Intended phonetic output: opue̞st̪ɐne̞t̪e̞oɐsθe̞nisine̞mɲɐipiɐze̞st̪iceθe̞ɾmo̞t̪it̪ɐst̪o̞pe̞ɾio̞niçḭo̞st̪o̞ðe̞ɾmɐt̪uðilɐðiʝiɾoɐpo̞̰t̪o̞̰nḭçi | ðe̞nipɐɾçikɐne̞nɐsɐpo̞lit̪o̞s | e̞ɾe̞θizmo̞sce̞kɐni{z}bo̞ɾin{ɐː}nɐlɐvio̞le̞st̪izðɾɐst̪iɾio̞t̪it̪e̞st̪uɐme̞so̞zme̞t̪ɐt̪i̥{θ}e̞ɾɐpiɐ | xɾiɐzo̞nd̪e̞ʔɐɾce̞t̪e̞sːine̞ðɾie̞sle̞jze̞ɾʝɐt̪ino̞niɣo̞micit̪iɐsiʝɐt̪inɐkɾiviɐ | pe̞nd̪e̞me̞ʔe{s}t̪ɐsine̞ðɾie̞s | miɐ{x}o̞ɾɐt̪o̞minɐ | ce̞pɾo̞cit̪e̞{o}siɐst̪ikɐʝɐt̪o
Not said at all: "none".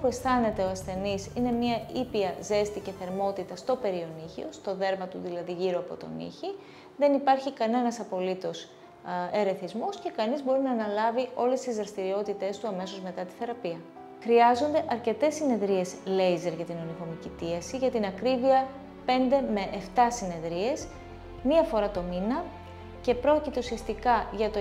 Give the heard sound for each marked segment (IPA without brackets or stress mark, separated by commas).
z, ɐː, θ, f, f, u